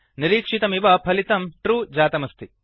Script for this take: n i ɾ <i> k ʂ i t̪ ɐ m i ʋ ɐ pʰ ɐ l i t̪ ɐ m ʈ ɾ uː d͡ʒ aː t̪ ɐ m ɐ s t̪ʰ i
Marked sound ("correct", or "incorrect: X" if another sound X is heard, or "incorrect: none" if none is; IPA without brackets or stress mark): incorrect: iː